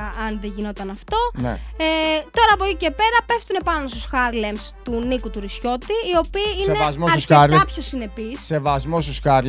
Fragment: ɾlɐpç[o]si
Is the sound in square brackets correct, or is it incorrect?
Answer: correct